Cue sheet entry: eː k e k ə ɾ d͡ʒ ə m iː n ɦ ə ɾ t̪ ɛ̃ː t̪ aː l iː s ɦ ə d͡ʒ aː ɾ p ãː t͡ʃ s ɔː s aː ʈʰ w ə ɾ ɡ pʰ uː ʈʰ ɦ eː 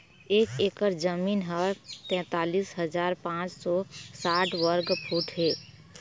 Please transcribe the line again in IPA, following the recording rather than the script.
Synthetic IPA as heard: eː k e k ə ɾ d͡ʒ ə m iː n ɦ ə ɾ t̪ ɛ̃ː t̪ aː l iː s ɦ ə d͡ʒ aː ɾ p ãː t͡ʃ s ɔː s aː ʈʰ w ə ɾ ɡ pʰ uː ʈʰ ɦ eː